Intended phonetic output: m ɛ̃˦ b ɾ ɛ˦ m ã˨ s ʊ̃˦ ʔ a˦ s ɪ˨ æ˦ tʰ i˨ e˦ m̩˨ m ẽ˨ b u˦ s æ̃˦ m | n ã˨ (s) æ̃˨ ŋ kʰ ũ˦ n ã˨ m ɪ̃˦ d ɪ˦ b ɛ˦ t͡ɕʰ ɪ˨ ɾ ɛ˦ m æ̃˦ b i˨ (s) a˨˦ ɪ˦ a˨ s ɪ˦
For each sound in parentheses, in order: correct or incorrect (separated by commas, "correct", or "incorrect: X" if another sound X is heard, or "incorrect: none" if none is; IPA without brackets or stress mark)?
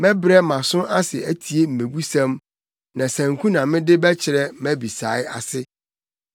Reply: correct, correct